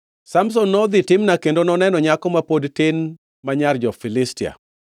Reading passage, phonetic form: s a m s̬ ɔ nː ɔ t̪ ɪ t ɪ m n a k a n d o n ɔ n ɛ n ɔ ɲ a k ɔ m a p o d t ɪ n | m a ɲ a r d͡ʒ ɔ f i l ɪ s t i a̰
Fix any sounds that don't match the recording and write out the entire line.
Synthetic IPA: s a m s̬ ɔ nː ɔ d̪ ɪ t ɪ m n a k e n d o n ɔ n ɛ n ɔ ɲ a k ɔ m a p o d t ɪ n | m a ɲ a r d͡ʒ ɔ f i l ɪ s t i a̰